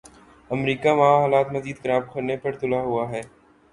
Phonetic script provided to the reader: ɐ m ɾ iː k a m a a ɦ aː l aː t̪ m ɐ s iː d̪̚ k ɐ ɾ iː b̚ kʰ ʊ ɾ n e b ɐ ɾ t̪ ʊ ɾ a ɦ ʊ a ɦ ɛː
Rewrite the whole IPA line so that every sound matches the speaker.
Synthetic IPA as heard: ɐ m ɾ iː k a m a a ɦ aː l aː t̪ m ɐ z iː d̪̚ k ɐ ɾ aː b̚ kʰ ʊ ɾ n e p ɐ ɾ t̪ ʊ l a ɦ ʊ a ɦ ɛː